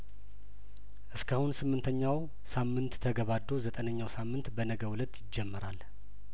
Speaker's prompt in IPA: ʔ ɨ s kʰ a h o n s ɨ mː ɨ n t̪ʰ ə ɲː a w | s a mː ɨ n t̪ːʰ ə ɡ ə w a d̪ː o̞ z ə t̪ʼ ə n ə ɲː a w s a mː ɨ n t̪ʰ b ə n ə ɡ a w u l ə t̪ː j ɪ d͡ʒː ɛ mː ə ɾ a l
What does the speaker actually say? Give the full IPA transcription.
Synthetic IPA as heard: ʔ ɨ s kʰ a h u n s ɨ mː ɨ n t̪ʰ ə ɲː a w | s a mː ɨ n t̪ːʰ ə ɡ ə β a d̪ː o̞ z ə t̪ʼ ə n ə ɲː a w s a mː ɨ n t̪ b ə n ə ɡ ə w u l ə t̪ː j ɪ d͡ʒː ɛ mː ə ɾ a l